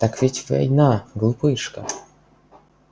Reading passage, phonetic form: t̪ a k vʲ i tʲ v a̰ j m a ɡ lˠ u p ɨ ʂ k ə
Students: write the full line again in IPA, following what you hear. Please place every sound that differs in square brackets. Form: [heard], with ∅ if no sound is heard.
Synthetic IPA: t̪ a k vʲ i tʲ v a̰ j [n] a ɡ lˠ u p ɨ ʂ k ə